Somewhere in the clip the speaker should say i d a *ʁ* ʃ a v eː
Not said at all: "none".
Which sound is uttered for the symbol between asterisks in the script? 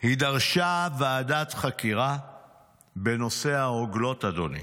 ʁ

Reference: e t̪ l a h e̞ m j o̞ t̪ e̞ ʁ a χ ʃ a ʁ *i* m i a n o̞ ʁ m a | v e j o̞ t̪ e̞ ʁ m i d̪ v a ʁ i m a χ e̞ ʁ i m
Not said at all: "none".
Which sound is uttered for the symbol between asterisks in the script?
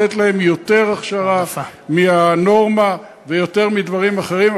a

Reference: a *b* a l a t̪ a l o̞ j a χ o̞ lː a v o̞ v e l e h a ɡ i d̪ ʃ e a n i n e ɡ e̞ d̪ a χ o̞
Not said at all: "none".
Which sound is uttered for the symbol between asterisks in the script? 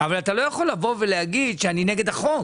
v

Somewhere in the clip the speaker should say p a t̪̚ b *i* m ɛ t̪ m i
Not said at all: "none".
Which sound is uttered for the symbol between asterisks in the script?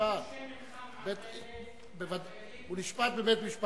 e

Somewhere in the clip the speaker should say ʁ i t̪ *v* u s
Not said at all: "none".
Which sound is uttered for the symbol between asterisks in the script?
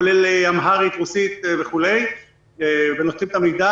ʁ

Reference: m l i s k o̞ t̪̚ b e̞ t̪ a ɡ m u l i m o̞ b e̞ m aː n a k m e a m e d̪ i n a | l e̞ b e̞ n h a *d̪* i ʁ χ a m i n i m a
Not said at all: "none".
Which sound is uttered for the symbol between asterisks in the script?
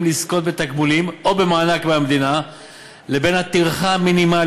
t̪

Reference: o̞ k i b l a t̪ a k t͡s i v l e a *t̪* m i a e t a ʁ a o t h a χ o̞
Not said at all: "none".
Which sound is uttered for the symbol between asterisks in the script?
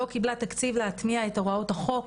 t̪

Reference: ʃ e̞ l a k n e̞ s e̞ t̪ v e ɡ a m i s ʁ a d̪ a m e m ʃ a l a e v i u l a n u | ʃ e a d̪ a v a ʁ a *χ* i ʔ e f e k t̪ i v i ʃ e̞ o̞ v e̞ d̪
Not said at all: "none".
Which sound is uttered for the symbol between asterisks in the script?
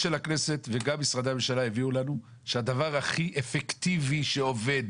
χ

